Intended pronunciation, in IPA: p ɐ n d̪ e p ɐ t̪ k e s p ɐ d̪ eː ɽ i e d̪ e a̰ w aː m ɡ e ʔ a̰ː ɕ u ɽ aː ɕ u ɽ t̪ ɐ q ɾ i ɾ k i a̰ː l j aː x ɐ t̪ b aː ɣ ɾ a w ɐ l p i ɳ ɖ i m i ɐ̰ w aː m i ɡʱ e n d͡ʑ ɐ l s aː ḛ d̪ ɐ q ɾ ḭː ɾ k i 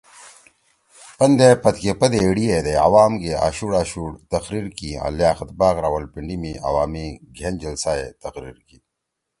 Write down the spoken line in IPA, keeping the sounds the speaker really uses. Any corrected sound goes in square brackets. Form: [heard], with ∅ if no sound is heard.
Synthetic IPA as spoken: p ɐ n d̪ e p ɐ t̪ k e [∅] p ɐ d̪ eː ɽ i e d̪ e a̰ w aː m ɡ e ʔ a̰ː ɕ u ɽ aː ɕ u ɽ t̪ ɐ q ɾ i ɾ k i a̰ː l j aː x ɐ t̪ b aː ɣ ɾ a w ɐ l p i ɳ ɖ i m i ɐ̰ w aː m i ɡʱ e n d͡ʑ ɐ l s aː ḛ [t̪] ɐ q ɾ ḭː ɾ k i